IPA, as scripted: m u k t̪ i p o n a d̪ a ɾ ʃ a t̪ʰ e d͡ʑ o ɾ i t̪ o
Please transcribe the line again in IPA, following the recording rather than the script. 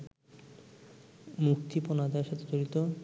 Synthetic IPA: m u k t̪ i p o n a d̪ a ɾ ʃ a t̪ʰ e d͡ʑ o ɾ i t̪ o